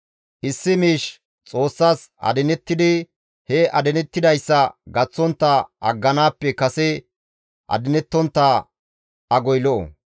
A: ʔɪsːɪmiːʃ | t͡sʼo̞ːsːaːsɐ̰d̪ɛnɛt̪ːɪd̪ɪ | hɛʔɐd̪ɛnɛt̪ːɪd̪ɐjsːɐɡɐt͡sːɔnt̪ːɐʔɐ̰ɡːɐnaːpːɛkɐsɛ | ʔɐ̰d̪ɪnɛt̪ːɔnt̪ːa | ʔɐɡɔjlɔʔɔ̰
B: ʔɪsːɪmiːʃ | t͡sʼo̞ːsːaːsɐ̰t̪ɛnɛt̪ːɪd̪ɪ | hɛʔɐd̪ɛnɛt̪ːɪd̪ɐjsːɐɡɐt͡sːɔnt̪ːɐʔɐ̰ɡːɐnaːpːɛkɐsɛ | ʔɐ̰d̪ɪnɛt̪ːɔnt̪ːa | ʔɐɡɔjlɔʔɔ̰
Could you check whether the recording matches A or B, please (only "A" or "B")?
A